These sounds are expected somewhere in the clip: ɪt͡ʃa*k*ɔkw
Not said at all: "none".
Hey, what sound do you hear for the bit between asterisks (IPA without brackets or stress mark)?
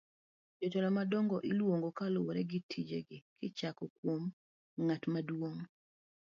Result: k